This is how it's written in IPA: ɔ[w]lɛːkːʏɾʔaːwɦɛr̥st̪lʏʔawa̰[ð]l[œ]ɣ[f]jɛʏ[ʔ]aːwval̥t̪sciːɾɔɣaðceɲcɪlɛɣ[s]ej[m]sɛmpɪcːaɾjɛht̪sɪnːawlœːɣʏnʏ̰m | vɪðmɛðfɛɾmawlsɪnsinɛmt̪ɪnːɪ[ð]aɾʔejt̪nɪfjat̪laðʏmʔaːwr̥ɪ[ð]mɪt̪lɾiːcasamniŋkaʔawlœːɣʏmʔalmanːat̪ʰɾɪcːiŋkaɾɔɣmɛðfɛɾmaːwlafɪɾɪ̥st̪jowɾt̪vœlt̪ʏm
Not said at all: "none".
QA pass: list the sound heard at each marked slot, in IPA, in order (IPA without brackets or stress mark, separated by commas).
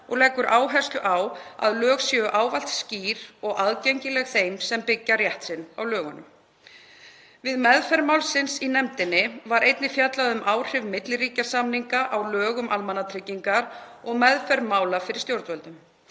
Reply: ɣ, ð, œː, s, ʔ, θ, m, v, v